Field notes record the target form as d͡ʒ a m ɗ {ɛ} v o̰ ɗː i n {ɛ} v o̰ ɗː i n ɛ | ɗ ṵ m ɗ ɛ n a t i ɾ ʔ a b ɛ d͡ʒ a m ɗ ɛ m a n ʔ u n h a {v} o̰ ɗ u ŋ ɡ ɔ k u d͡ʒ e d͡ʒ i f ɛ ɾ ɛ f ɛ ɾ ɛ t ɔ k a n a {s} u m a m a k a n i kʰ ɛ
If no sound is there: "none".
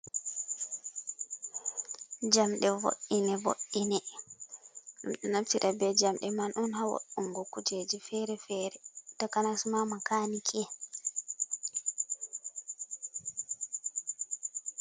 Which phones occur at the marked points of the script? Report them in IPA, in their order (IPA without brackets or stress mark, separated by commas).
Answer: ɛ, ɛ, w, s